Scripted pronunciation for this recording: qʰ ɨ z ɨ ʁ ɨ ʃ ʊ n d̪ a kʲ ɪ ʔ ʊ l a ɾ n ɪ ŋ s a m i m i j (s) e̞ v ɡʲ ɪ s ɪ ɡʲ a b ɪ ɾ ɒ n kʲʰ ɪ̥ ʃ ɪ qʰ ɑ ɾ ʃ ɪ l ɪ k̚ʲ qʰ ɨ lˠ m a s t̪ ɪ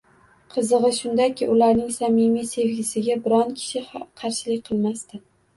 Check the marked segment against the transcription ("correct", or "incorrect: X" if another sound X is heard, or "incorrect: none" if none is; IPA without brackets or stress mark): correct